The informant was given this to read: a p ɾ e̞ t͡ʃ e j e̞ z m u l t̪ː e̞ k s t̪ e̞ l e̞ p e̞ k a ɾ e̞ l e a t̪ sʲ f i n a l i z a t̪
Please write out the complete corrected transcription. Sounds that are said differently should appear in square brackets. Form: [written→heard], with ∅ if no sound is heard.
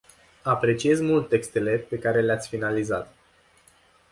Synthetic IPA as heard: a p ɾ e̞ t͡ʃ [e→i] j e̞ z m u l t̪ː e̞ k s t̪ e̞ l e̞ p e̞ k a ɾ e̞ l e a t̪ sʲ f i n a l i z a t̪